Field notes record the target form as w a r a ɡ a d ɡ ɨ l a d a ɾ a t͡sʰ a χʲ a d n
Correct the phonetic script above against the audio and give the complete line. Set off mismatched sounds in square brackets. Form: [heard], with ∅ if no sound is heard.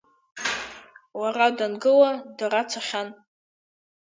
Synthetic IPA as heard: w a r a [d] a [n] ɡ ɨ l a d a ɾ a t͡sʰ a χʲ a [∅] n